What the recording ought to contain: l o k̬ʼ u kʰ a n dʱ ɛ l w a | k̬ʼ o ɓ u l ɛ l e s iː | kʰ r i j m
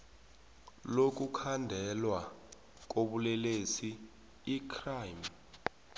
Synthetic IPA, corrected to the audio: l o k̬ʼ u kʰ a n dʱ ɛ l w a | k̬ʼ o ɓ u l ɛ l e s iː | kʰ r a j m